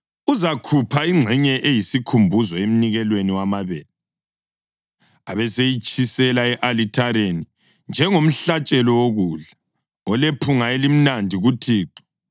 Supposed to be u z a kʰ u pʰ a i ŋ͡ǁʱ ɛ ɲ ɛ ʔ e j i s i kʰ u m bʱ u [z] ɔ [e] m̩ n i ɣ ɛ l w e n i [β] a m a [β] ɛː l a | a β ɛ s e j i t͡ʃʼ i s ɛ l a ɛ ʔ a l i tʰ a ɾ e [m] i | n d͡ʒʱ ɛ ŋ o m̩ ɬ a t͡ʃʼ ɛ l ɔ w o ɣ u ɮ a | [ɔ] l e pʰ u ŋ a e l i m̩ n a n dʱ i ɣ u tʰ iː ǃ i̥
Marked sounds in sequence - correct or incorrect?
correct, correct, incorrect: w, correct, incorrect: n, correct

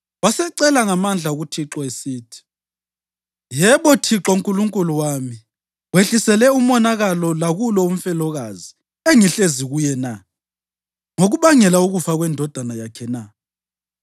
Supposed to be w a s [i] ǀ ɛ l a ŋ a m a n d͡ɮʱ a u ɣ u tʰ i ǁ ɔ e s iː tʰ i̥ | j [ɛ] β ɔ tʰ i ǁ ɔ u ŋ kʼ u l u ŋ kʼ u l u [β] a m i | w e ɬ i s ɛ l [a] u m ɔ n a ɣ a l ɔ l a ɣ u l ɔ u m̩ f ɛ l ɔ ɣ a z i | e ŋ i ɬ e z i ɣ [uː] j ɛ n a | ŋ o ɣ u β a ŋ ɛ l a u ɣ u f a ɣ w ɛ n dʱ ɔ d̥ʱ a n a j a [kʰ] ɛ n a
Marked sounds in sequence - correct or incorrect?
incorrect: ɛ, correct, incorrect: w, incorrect: ɛ, incorrect: u, correct

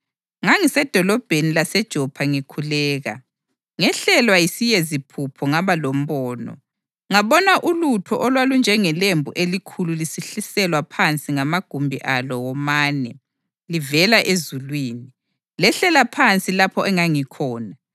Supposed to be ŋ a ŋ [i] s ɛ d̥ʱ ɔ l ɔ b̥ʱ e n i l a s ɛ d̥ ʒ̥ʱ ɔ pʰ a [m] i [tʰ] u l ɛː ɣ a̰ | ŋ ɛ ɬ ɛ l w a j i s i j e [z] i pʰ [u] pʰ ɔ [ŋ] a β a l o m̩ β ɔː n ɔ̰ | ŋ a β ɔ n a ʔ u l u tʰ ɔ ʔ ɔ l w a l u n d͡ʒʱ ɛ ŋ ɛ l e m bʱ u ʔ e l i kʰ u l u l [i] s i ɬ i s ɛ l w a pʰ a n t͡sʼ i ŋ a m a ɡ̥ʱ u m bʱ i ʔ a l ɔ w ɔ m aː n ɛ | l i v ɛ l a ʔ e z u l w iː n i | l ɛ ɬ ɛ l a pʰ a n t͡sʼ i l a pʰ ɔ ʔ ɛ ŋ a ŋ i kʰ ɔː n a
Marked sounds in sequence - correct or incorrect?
correct, incorrect: ŋ, incorrect: kʰ, correct, correct, correct, correct

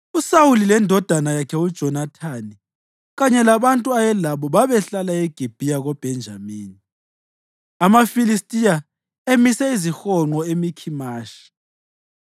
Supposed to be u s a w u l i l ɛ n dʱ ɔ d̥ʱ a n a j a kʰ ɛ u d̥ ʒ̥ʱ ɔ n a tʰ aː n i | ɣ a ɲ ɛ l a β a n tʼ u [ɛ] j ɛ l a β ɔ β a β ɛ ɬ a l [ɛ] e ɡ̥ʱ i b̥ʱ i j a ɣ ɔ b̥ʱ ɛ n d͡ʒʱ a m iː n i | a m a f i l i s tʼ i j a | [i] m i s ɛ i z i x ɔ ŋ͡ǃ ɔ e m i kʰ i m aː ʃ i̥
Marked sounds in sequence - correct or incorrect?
incorrect: a, incorrect: a, incorrect: e

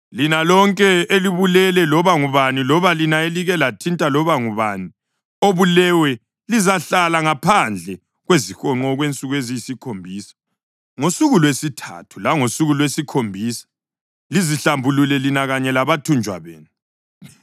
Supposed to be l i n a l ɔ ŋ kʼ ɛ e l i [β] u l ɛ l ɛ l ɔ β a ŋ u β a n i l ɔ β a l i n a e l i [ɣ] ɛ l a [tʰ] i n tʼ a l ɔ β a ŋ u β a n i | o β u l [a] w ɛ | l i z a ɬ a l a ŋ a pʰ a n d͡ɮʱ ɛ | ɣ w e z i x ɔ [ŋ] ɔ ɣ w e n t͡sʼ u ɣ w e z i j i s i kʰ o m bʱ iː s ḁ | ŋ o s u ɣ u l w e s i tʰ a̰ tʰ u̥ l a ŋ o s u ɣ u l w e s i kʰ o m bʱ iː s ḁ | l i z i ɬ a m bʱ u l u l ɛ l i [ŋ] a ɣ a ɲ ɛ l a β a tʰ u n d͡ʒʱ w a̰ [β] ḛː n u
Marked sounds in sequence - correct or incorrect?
correct, correct, correct, incorrect: ɛ, incorrect: ŋ͡ǃ, incorrect: n, correct

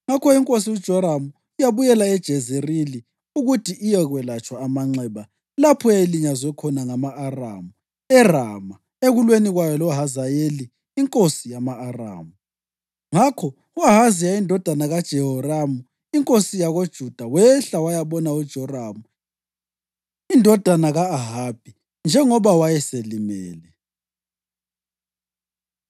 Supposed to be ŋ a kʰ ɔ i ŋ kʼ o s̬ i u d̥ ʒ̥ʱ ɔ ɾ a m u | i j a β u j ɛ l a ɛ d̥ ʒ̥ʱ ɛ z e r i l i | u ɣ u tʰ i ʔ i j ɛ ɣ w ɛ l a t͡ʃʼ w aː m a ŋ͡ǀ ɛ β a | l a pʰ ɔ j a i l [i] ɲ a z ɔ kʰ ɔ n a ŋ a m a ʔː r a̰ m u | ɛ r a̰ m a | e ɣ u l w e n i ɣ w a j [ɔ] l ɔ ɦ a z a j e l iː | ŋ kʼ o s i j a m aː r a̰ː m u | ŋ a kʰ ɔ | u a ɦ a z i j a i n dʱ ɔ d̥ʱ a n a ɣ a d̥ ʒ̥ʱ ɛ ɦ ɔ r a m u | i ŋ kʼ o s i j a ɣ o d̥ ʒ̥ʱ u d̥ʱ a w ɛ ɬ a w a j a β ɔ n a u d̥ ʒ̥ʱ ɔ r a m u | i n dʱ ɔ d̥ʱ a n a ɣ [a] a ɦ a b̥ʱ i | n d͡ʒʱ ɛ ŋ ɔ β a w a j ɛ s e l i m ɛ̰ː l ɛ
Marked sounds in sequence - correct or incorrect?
correct, correct, correct

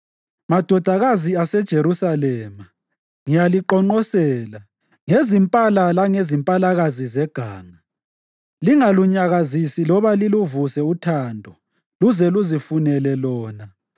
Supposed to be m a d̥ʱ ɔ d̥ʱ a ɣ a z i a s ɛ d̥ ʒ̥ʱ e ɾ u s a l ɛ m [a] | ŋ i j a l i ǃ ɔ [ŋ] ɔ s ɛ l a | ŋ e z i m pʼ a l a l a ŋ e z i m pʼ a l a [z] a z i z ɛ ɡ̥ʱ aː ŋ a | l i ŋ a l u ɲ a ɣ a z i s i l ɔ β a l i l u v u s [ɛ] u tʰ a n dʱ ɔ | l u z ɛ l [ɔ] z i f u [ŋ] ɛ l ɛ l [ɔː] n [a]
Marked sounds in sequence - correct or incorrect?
correct, incorrect: ŋ͡ǃ, incorrect: ɣ, correct, incorrect: u, incorrect: n, correct, correct

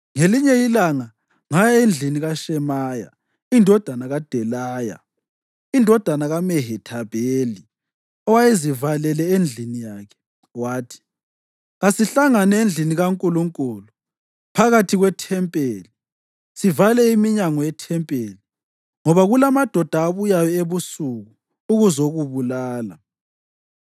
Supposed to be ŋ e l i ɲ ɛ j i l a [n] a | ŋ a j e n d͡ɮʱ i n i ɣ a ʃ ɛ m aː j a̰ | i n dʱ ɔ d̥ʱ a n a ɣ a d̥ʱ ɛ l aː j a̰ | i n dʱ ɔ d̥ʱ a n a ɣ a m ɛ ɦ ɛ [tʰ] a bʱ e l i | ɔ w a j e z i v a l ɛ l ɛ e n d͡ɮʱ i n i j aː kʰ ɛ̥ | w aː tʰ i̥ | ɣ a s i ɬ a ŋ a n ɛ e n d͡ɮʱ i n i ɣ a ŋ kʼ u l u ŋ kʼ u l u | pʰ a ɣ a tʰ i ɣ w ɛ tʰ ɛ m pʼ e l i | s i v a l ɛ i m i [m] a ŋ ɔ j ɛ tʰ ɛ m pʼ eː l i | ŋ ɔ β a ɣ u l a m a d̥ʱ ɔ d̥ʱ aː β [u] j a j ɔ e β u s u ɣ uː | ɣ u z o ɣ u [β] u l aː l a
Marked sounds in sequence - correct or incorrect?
incorrect: ŋ, correct, incorrect: ɲ, correct, correct

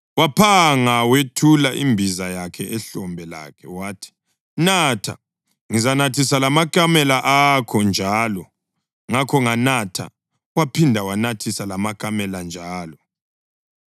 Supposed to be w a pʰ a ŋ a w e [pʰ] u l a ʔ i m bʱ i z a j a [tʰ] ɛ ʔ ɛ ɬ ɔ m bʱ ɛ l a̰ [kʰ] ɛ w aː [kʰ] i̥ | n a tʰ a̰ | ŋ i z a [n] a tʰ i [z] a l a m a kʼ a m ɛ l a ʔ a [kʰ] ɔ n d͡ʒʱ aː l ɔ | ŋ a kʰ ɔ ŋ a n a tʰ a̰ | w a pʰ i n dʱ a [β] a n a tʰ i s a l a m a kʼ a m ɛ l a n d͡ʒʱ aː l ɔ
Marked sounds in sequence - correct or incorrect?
incorrect: tʰ, incorrect: kʰ, correct, incorrect: tʰ, correct, incorrect: s, correct, incorrect: w

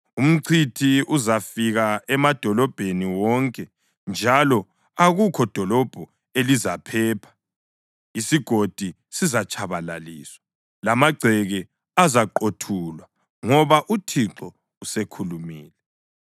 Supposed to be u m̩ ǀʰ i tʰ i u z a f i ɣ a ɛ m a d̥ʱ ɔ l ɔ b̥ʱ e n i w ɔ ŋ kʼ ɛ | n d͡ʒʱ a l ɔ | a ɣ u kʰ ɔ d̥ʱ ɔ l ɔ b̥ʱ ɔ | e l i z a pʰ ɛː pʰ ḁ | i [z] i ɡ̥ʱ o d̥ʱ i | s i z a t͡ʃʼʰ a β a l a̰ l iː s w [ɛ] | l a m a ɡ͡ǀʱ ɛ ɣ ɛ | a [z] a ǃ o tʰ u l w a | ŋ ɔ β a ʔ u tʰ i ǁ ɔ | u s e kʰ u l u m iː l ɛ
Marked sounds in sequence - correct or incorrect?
incorrect: s, incorrect: a, correct

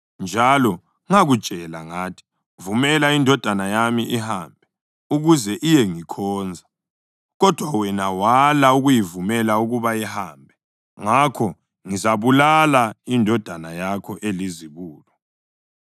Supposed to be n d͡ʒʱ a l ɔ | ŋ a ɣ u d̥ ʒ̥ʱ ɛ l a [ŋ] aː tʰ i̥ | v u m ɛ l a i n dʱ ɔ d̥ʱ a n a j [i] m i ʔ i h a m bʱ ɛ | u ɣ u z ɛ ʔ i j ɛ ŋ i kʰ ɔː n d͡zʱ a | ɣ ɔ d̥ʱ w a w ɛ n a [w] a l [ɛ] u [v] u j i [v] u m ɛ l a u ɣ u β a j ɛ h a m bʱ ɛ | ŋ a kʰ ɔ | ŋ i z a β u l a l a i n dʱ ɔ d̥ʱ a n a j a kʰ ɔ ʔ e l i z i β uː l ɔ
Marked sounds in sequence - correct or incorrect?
correct, incorrect: a, correct, incorrect: a, incorrect: ɣ, correct

